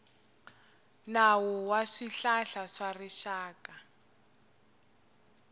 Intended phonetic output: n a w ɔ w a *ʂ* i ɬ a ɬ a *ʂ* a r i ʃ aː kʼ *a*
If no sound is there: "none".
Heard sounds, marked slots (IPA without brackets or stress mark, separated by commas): ʂ, ʂ, a